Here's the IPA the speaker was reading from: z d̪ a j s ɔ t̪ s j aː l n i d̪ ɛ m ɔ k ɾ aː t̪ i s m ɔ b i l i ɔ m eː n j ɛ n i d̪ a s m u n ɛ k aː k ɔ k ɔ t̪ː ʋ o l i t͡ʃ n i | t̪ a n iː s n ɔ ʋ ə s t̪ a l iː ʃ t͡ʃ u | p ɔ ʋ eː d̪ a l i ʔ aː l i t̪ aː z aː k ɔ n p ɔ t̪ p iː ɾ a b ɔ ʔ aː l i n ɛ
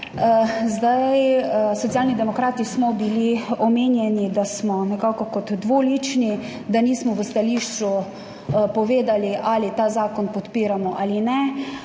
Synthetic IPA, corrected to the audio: z d̪ a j s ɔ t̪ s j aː l n i d̪ ɛ m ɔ k ɾ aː t̪ i s m ɔ b i l i ɔ m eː n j ɛ n i d̪ a s m ɔ n ɛ k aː k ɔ k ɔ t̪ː ʋ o l i t͡ʃ n i | d̪ a n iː s m ɔ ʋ ə s t̪ a l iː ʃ t͡ʃ u | p ɔ ʋ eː d̪ a l i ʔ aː l i t̪ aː z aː k ɔ n p ɔ t̪ p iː ɾ a m ɔ ʔ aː l i n ɛ

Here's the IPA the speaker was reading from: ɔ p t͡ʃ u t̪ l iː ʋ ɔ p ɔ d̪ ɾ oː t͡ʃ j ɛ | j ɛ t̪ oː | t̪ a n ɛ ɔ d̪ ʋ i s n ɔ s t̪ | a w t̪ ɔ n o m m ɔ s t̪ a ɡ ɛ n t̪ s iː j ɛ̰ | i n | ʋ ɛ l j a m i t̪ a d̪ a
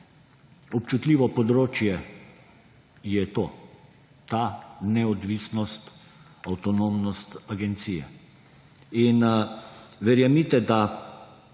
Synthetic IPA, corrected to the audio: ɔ p t͡ʃ u t̪ l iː ʋ ɔ p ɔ d̪ ɾ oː t͡ʃ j ɛ | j ɛ t̪ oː | t̪ a n ɛ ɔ d̪ ʋ i s n ɔ s t̪ | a w t̪ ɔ n o m n ɔ s t̪ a ɡ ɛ n t̪ s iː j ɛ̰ | i n | ʋ ɛ ɾ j a m i t̪ ɛ d̪ a

